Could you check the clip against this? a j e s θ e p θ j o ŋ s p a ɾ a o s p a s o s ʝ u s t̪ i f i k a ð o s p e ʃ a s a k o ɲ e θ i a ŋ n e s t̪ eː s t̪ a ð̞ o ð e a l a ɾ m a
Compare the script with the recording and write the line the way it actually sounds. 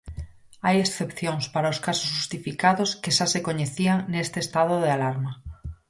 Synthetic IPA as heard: a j e s θ e p θ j o ŋ s p a ɾ a o s k a s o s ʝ u s t̪ i f i k a ð o s k e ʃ a s e k o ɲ e θ i a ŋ n e s t̪ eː s t̪ a ð̞ o ð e a l a ɾ m a